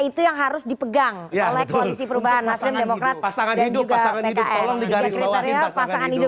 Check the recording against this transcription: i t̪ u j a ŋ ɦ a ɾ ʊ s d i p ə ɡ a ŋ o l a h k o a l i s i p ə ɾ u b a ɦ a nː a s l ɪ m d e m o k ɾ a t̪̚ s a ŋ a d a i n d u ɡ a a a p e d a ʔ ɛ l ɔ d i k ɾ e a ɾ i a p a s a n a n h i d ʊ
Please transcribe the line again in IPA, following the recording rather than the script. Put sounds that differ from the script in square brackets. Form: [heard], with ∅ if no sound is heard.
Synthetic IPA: i t̪ u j a ŋ ɦ a ɾ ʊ s d i p ə ɡ a ŋ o l [ɛ] h k o a l i s i p ə ɾ u b a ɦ a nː a s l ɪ m d e m o k ɾ a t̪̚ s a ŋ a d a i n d u ɡ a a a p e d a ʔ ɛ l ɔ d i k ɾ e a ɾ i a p a s a [ŋ] a n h i d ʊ